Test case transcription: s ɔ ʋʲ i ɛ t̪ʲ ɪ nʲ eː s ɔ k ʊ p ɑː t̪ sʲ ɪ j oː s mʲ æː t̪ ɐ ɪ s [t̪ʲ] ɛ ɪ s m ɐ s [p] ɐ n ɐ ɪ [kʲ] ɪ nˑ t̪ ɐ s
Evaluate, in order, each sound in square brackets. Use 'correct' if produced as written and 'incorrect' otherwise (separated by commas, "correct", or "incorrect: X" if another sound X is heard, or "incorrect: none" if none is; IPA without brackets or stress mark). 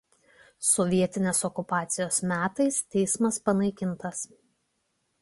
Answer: correct, correct, correct